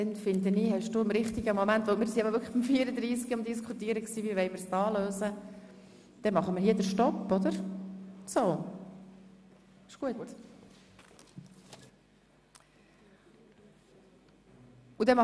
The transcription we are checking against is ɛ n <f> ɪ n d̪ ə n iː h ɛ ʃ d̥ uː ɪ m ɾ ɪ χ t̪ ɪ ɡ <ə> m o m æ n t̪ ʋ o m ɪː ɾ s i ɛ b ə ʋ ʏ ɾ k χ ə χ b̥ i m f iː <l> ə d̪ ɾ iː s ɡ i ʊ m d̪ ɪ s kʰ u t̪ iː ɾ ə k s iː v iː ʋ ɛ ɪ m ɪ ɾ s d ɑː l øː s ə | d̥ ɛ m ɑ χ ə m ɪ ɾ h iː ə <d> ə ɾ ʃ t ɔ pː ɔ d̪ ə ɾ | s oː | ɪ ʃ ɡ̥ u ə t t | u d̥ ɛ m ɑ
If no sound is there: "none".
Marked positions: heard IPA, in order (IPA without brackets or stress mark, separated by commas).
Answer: f, ə, ɾ, d